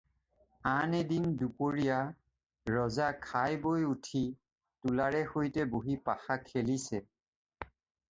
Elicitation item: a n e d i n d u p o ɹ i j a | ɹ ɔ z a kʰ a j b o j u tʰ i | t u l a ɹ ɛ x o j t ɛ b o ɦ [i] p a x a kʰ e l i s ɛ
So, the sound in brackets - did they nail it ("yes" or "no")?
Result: yes